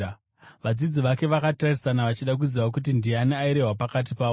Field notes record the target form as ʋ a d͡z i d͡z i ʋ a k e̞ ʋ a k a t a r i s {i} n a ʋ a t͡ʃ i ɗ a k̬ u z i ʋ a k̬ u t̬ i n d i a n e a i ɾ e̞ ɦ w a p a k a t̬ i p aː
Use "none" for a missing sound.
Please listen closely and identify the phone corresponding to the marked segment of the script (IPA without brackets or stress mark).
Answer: a